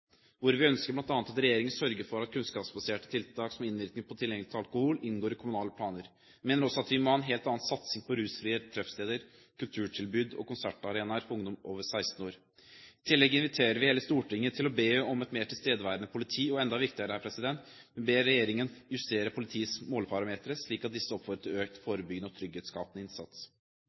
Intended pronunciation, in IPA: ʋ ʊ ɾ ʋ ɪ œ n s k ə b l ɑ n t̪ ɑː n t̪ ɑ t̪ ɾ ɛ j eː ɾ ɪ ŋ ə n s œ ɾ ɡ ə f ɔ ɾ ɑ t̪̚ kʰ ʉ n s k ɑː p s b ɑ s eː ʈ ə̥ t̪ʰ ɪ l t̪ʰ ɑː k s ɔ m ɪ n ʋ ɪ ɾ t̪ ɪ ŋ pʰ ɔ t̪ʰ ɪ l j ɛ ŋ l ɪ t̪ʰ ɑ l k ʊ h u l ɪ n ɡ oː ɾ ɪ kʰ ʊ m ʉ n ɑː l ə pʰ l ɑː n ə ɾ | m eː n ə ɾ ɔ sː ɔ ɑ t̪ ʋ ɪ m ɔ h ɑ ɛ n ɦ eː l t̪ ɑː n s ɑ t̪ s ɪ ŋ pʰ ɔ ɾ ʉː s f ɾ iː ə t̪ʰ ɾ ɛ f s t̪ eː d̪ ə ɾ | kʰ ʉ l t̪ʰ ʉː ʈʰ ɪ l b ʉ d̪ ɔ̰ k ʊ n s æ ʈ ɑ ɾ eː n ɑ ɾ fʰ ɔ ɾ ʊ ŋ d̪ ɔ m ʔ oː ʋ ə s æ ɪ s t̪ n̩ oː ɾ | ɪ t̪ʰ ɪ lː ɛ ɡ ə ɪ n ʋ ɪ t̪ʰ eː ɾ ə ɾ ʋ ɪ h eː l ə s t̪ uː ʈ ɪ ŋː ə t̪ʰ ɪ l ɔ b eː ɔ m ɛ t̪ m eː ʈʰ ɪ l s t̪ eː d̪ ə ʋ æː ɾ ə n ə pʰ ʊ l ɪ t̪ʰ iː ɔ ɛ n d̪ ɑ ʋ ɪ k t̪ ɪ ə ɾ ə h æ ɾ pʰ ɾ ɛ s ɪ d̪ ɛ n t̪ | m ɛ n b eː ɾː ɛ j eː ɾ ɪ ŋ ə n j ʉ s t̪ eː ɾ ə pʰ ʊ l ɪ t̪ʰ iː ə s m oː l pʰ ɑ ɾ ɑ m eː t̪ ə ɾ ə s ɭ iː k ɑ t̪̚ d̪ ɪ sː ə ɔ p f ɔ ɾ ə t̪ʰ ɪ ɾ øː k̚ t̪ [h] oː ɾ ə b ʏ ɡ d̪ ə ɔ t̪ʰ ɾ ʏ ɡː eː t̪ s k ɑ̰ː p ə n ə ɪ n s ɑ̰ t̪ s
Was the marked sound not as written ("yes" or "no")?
yes